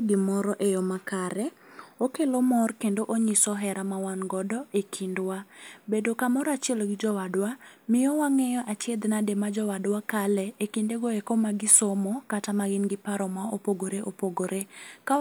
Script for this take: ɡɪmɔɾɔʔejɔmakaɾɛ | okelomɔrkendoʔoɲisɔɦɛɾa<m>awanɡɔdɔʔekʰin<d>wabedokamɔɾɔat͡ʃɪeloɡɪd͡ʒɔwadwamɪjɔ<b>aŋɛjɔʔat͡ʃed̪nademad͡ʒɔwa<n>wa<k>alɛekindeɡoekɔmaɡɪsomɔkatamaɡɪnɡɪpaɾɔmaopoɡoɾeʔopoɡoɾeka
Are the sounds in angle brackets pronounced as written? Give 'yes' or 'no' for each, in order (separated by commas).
yes, yes, no, no, yes